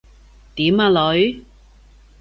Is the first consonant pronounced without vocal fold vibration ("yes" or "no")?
yes